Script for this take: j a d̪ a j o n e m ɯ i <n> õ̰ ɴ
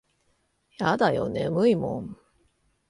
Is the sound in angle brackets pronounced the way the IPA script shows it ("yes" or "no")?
no